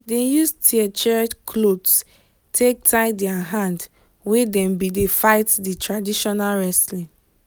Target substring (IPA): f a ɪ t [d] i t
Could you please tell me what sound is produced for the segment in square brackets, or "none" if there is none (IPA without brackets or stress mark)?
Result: d